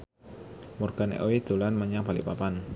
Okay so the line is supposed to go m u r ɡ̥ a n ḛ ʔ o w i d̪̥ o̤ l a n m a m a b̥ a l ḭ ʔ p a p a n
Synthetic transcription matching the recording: m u r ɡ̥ a n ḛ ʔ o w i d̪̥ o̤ l a n m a ɲ a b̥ a l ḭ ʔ p a p a n